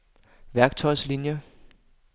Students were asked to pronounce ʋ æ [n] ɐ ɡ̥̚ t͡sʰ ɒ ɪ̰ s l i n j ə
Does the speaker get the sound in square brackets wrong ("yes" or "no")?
yes